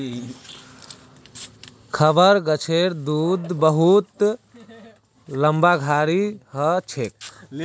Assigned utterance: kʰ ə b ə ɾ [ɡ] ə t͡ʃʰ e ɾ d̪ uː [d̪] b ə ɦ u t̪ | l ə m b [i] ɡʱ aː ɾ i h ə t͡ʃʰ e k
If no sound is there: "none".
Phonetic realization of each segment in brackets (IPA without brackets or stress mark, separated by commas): ɡ, d̪, a